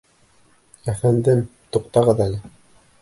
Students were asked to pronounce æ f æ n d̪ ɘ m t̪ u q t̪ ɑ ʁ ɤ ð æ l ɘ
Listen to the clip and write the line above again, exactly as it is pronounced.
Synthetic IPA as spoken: æ f æ n d̪ ɘ m t̪ u q t̪ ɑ ʁ ɤ ð æ l ɘ